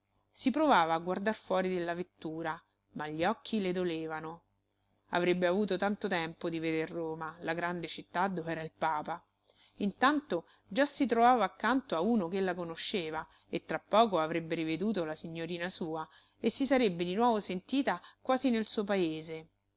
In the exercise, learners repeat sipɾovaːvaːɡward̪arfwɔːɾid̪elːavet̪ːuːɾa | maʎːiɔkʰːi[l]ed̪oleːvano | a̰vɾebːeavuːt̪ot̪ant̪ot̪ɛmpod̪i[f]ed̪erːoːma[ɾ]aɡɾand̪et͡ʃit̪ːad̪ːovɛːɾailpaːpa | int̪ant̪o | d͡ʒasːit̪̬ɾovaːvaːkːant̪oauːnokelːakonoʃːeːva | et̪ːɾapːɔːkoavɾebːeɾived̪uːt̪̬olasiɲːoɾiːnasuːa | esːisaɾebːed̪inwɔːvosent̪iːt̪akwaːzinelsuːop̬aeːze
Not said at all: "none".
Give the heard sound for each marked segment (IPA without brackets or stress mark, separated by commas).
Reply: l, v, l